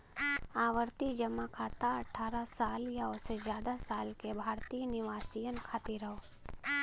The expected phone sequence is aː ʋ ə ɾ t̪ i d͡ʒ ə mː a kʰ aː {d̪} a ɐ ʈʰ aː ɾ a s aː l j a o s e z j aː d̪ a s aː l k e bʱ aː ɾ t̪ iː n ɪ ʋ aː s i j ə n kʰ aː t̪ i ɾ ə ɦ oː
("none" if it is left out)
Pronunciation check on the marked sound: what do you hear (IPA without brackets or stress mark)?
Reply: t̪